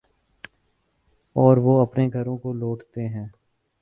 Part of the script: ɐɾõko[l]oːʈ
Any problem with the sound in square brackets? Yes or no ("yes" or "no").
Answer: no